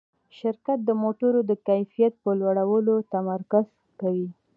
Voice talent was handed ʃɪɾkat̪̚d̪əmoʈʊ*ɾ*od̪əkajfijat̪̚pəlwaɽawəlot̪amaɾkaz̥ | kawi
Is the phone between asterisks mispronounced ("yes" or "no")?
no